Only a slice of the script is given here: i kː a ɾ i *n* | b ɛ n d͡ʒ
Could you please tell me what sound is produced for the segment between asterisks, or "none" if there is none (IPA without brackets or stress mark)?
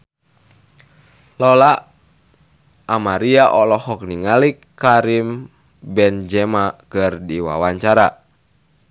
m